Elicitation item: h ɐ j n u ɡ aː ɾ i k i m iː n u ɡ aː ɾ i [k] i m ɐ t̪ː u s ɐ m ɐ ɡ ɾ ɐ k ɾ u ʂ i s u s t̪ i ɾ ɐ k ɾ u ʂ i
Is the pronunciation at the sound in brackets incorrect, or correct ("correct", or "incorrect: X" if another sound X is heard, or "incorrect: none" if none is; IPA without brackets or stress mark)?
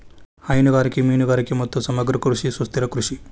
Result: correct